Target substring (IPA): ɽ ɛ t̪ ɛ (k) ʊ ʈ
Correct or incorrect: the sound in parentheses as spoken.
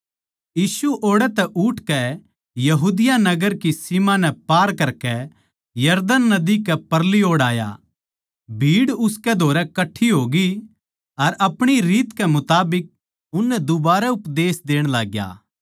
incorrect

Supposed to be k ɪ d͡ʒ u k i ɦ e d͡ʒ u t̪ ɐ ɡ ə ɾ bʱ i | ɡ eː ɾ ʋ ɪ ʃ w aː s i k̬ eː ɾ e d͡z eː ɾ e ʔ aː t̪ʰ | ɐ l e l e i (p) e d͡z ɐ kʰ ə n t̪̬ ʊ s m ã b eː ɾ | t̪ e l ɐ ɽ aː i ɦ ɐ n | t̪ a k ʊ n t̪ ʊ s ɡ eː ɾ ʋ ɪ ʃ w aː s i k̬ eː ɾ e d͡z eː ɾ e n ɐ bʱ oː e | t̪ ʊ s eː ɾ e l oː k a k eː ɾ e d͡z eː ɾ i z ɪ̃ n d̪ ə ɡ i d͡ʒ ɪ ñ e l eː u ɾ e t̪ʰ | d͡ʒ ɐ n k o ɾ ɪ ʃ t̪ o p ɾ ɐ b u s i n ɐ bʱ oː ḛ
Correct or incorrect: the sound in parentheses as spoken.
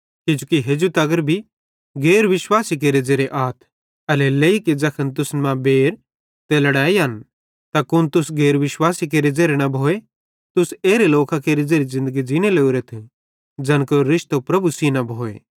incorrect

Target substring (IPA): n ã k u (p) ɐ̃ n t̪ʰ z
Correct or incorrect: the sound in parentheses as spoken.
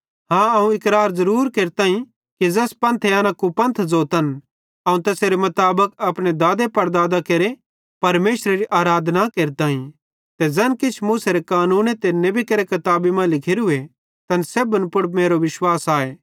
correct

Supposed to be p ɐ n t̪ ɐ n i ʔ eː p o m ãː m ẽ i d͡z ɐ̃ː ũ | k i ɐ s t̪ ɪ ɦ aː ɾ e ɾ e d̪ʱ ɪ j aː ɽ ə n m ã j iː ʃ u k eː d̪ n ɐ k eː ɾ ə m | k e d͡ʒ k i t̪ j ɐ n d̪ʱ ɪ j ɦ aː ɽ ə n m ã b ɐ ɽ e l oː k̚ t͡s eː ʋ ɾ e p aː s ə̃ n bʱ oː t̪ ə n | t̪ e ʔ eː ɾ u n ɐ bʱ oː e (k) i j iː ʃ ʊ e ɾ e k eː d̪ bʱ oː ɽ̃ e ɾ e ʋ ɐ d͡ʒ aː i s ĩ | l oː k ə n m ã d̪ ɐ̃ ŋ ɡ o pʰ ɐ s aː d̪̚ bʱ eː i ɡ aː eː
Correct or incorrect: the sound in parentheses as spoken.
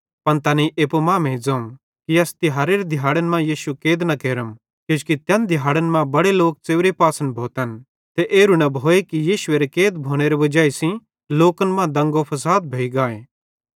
correct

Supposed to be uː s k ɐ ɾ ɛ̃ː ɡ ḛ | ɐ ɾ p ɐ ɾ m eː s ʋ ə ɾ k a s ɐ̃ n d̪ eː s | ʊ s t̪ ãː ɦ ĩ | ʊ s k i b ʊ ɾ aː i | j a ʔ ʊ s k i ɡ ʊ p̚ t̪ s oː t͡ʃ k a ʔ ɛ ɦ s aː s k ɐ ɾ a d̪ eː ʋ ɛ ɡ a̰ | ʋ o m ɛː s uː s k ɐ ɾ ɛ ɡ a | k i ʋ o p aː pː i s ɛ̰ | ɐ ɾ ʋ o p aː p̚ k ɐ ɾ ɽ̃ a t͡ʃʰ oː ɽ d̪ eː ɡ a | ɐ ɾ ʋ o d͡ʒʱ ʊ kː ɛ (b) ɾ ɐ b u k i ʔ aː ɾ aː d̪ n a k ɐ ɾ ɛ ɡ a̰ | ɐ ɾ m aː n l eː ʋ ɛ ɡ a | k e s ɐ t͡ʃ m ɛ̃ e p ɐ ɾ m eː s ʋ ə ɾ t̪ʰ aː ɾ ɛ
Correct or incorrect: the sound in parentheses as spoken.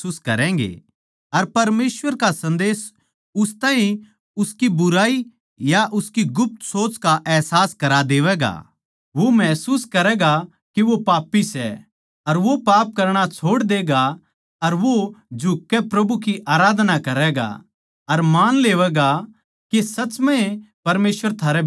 incorrect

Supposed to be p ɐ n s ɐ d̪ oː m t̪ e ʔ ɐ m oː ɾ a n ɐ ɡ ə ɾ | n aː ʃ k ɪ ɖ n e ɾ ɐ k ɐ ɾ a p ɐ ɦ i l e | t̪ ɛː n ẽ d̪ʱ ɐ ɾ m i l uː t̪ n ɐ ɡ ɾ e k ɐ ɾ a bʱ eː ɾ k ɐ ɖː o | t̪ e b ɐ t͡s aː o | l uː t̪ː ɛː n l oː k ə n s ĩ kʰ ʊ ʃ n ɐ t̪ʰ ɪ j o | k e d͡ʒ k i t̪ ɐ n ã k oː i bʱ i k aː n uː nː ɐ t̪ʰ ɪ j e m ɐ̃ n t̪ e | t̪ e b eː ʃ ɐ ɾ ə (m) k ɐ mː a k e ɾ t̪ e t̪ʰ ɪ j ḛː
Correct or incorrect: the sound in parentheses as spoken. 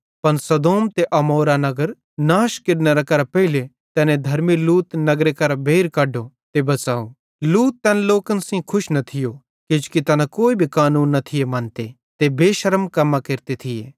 correct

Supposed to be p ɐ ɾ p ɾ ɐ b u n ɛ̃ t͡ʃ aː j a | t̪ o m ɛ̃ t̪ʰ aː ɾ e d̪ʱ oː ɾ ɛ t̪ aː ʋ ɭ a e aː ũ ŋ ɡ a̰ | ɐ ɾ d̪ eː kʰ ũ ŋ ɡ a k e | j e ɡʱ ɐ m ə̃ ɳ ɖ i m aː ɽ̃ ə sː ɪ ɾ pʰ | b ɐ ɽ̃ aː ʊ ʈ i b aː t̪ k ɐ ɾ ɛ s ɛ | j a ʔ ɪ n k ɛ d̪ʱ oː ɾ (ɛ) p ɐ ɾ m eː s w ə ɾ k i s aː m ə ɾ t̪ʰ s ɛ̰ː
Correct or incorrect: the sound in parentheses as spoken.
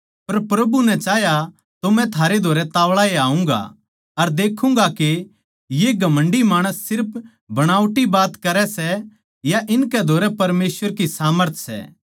correct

